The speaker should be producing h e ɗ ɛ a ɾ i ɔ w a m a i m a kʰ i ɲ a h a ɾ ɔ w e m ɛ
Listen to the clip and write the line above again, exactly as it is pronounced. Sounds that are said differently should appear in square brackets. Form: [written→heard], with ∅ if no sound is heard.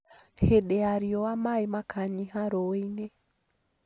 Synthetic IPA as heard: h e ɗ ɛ a ɾ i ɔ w a m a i m a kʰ [i→a] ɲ [a→i] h a ɾ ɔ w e [m→n] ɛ